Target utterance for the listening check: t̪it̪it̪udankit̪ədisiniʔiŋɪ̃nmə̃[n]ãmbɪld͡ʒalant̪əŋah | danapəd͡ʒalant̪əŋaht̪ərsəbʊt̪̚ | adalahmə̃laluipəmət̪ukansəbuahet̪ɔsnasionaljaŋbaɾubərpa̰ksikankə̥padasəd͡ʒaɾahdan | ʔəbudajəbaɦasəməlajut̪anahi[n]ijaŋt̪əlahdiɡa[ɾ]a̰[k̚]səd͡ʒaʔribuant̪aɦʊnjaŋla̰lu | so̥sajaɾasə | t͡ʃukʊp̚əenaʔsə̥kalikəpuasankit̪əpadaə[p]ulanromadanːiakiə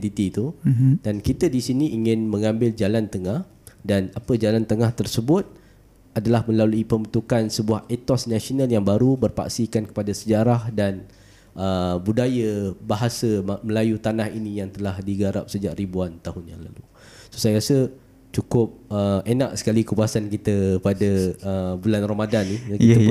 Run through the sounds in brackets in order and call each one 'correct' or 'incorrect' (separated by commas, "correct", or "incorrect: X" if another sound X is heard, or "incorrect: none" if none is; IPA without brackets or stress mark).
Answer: incorrect: ŋ, correct, correct, incorrect: p̚, incorrect: b